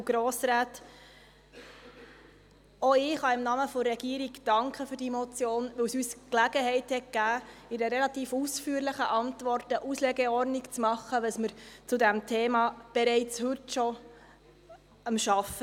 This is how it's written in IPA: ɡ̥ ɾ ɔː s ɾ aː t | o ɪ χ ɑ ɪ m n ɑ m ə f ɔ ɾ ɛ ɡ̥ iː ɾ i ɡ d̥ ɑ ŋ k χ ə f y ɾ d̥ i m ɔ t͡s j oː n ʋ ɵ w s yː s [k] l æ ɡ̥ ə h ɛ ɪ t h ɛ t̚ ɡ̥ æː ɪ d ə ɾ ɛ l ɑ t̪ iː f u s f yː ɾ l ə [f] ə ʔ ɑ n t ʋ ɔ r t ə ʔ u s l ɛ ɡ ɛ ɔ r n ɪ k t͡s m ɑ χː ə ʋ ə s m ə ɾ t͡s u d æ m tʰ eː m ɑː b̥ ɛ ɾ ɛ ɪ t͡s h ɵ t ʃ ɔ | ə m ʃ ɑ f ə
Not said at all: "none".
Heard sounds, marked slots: k, χ

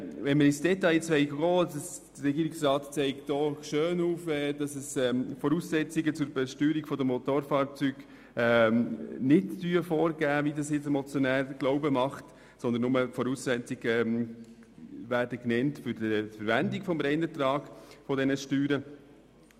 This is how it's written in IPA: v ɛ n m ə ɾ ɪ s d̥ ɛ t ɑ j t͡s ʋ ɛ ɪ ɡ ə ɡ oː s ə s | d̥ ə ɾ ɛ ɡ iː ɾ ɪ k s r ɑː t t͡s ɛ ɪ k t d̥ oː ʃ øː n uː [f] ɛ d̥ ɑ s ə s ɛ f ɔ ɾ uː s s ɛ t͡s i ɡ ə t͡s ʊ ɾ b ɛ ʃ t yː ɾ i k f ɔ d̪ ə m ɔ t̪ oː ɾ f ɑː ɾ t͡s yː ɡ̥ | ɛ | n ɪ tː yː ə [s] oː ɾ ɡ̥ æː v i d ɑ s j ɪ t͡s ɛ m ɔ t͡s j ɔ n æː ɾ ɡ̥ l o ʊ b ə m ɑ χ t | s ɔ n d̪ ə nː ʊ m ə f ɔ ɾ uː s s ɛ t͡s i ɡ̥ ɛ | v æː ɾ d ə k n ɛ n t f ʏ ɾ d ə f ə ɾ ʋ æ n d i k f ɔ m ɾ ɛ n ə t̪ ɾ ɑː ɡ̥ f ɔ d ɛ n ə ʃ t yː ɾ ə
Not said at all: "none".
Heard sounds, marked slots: f, f

